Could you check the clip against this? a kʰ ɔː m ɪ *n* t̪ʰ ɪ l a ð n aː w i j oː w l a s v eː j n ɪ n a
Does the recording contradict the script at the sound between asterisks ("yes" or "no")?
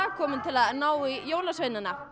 no